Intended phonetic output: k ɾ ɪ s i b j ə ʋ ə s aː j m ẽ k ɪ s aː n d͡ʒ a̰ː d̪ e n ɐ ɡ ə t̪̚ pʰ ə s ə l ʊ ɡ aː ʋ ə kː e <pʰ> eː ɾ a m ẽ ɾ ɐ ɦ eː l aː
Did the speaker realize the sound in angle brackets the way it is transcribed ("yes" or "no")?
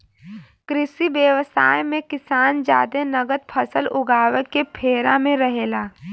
yes